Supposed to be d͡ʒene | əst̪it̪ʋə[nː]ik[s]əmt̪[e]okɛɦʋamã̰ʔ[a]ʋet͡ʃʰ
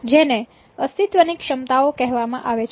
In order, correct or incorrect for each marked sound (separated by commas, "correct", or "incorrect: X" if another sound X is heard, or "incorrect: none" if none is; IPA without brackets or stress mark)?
incorrect: n, incorrect: ʃ, incorrect: a, correct